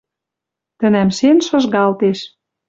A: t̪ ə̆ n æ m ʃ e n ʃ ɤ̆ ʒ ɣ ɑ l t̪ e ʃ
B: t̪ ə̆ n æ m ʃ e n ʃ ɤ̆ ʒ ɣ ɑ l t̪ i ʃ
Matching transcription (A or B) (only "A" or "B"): A